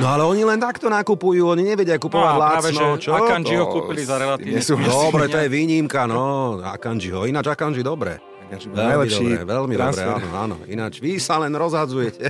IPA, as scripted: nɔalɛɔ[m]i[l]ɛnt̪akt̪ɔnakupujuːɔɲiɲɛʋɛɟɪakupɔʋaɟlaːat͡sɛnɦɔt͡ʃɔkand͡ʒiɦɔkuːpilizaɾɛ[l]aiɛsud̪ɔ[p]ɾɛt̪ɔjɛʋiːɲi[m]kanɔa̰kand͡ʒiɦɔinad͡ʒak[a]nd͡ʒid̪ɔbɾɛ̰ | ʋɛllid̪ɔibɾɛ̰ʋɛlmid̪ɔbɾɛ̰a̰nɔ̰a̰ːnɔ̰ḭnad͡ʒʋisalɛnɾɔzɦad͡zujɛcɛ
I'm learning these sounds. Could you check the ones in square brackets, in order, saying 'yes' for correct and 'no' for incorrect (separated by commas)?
no, yes, yes, no, yes, yes